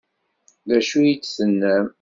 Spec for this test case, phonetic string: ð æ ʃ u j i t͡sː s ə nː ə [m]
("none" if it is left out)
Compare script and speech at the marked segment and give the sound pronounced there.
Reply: m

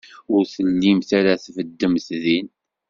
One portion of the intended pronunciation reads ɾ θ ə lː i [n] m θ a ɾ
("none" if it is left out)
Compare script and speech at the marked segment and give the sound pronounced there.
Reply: none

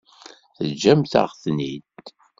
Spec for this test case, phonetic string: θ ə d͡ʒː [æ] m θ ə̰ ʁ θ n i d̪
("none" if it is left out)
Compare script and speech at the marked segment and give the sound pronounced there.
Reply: æ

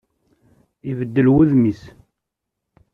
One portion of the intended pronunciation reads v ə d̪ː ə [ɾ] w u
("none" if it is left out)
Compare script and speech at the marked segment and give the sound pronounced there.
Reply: l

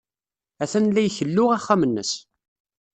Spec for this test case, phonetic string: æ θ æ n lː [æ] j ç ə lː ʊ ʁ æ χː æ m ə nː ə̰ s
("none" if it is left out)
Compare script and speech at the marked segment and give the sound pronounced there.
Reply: æ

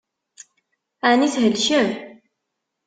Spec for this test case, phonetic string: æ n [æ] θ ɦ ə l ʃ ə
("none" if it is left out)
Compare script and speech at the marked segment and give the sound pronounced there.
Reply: i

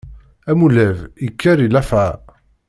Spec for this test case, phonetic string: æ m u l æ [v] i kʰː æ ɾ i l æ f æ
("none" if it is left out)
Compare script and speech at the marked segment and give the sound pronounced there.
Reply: v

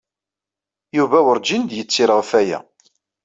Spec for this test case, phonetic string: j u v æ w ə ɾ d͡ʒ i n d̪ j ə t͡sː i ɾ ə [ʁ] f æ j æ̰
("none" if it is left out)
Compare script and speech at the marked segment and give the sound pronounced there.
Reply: ʁ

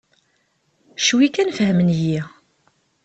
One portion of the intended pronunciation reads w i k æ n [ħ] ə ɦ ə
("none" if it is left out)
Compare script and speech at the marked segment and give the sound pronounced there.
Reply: f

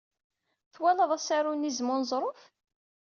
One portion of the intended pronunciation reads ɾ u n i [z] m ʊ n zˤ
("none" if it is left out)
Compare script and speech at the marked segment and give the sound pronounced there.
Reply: z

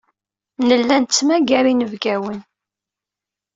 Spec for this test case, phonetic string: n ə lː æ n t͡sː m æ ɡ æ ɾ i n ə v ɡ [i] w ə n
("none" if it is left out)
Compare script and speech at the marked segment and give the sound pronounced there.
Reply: æ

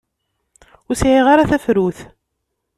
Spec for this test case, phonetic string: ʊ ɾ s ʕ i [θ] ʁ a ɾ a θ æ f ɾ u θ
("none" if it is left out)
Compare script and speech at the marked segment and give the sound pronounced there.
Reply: none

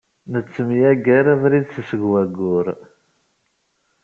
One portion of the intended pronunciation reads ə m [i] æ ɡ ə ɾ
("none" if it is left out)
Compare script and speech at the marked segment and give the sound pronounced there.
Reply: j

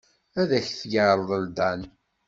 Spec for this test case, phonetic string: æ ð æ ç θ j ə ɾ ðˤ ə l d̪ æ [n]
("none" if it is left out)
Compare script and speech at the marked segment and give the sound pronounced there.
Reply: n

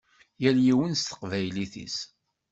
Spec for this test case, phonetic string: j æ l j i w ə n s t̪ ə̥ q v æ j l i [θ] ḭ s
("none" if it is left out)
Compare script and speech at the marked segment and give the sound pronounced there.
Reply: θ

